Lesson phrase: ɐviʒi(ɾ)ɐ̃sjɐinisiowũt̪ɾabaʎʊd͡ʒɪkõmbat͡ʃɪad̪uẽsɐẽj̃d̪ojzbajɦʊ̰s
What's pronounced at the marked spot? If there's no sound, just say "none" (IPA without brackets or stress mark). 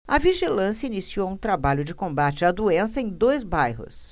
l